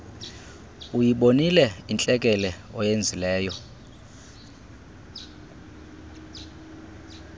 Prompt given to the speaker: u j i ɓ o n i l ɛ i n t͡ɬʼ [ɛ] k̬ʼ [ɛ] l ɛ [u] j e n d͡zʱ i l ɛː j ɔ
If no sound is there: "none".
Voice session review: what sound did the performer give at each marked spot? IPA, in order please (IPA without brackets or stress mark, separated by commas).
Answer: ɛ, ɛ, ɔ